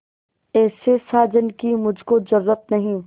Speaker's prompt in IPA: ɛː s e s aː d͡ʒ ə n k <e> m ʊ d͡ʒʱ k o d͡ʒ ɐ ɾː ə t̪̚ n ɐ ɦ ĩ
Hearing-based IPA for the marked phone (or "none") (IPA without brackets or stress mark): i